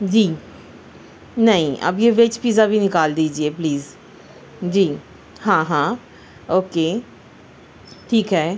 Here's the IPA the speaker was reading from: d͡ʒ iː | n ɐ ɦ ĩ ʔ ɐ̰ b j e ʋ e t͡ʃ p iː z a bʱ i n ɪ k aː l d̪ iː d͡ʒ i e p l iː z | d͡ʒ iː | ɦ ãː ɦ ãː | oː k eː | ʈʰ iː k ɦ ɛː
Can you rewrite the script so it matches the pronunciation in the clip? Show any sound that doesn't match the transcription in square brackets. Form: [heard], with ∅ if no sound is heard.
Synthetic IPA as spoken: d͡ʒ iː | n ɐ ɦ ĩ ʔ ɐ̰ b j e ʋ e t͡ʃ p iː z a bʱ i n ɪ k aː l d̪ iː d͡ʒ i e p l iː z | d͡ʒ iː | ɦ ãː ɦ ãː | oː k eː | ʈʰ iː k ɦ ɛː